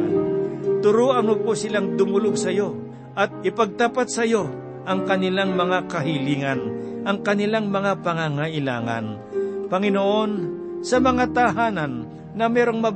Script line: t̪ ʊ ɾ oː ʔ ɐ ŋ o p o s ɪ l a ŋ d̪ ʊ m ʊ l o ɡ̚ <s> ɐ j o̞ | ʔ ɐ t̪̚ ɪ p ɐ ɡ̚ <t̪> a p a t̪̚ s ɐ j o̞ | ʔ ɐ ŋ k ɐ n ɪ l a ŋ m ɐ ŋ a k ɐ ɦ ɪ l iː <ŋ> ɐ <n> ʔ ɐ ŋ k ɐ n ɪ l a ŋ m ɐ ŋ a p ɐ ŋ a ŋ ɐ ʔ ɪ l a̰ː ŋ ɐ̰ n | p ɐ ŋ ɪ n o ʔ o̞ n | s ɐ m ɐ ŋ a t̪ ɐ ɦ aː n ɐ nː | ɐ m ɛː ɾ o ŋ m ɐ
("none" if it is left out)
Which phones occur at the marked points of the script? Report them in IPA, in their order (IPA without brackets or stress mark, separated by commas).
s, t̪, ŋ, n